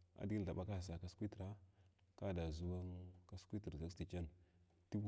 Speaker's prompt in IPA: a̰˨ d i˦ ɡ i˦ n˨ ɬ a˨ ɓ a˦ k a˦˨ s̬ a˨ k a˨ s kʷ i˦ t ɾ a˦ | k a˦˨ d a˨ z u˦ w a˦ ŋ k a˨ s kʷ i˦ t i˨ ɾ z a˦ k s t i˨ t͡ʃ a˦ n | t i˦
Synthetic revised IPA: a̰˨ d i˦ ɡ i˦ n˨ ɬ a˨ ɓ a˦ k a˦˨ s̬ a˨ k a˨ s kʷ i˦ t ɾ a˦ | k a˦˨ d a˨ z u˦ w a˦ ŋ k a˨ s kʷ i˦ t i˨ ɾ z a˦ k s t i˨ t͡ʃ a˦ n | t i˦